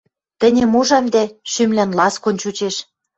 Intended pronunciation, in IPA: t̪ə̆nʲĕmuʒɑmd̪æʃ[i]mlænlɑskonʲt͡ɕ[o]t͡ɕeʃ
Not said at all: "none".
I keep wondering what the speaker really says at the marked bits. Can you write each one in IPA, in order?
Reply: y, u

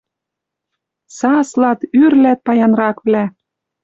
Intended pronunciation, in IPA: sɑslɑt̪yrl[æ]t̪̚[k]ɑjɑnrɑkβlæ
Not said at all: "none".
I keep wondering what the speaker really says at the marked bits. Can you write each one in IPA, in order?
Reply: æ, p

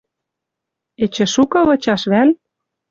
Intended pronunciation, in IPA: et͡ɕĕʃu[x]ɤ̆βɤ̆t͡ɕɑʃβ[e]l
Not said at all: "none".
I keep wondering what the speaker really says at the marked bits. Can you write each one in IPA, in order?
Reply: k, æ

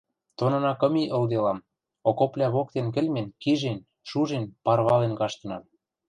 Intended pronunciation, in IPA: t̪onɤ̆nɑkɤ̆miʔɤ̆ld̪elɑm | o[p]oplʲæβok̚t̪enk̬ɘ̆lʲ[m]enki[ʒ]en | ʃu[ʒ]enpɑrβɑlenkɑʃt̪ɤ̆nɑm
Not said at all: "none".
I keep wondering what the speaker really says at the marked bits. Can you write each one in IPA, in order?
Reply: k, m, ʒ, ʒ

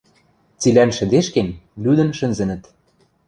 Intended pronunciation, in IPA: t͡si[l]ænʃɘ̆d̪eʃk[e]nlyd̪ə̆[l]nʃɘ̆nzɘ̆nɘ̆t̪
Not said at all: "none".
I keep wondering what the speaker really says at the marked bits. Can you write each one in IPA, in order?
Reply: l, e, none

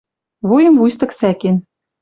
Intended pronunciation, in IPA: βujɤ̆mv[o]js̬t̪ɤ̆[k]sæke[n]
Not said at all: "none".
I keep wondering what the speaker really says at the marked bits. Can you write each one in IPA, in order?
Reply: u, k, n

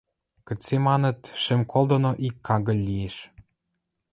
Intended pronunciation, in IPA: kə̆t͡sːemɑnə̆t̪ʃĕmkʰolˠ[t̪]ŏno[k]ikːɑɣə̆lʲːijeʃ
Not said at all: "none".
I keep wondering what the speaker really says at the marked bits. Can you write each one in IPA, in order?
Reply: d̪, ʔ

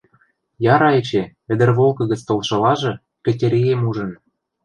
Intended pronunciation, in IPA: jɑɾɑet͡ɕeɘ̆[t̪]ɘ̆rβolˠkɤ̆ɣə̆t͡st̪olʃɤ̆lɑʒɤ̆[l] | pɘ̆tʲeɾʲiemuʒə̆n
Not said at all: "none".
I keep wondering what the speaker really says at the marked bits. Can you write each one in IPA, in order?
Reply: d̪, none

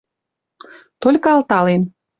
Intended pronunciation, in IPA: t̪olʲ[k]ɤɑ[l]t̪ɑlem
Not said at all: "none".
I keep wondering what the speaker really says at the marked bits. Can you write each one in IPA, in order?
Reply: k, l

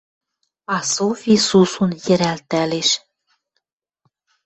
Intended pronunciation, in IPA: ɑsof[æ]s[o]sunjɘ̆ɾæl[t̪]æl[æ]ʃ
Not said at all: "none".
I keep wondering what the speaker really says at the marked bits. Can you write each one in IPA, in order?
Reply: i, u, t̪, e

